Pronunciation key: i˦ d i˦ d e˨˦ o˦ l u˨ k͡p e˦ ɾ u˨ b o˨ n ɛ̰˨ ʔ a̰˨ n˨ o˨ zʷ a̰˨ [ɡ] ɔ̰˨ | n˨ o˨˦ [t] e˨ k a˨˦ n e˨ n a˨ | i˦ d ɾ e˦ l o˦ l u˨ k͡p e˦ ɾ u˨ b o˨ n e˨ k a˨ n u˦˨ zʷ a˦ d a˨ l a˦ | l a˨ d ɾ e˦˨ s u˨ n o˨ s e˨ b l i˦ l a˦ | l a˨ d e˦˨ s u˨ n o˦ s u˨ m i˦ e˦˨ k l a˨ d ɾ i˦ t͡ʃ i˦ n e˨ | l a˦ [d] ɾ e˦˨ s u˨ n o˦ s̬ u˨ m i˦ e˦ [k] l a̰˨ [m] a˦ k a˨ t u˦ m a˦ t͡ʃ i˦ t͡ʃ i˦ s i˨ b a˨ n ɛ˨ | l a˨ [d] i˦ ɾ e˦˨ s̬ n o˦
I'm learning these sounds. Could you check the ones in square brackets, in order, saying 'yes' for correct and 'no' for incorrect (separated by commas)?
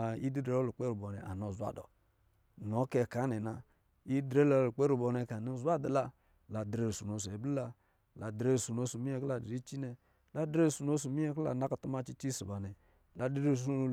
no, no, yes, yes, no, yes